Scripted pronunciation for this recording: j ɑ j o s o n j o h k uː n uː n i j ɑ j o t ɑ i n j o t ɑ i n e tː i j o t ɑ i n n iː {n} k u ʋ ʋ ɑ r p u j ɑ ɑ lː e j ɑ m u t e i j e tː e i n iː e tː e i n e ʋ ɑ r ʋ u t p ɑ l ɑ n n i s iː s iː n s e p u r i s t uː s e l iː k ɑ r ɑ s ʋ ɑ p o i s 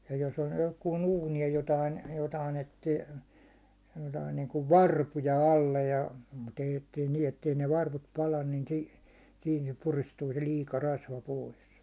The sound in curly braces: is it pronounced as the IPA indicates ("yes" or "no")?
no